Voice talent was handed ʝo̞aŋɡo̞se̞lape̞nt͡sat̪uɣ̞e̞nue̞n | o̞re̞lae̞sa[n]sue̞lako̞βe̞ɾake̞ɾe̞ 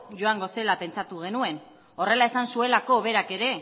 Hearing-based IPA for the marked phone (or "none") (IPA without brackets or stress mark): n